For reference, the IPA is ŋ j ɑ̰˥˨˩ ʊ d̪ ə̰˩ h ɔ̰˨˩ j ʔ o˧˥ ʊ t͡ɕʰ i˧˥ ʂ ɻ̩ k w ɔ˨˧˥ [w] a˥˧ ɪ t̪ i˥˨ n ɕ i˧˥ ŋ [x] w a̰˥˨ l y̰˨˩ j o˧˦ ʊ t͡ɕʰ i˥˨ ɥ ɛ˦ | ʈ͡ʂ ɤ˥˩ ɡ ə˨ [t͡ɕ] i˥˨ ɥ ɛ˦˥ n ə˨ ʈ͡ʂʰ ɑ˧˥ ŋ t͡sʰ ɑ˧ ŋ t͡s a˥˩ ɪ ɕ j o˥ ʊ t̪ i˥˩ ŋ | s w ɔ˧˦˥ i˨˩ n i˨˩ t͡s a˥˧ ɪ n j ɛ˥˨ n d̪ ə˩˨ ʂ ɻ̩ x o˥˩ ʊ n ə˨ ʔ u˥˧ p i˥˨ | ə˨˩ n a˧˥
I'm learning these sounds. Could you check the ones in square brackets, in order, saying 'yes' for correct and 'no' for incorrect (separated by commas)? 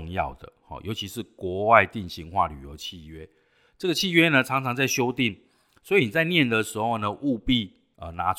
yes, yes, no